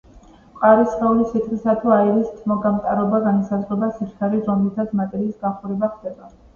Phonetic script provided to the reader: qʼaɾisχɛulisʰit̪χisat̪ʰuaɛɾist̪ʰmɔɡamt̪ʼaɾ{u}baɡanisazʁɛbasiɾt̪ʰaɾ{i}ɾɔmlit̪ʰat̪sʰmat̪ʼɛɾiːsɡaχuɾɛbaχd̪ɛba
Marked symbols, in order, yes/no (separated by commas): no, yes